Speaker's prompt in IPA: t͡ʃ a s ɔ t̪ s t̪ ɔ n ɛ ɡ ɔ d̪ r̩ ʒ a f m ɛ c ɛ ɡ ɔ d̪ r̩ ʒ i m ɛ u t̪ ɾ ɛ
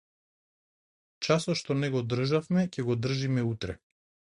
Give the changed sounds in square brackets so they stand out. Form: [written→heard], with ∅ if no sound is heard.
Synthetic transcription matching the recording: t͡ʃ a s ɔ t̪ [s→ʃ] t̪ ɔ n ɛ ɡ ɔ d̪ r̩ ʒ a f m ɛ c ɛ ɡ ɔ d̪ r̩ ʒ i m ɛ u t̪ ɾ ɛ